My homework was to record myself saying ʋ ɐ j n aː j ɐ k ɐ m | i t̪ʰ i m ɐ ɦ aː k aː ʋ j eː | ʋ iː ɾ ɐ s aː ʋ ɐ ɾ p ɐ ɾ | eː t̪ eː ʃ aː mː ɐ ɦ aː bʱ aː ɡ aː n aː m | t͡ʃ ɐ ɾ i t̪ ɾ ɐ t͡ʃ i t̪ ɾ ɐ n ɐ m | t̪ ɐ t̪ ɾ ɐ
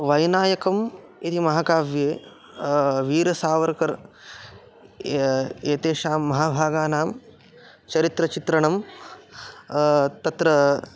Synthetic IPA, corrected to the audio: ʋ ɐ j n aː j ɐ k ɐ m | i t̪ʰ i m ɐ ɦ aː k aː ʋ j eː | ʋ iː ɾ ɐ s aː ʋ ɐ ɾ k ɐ ɾ | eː t̪ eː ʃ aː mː ɐ ɦ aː bʱ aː ɡ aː n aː m | t͡ʃ ɐ ɾ i t̪ ɾ ɐ t͡ʃ i t̪ ɾ ɐ ɳ ɐ m | t̪ ɐ t̪ ɾ ɐ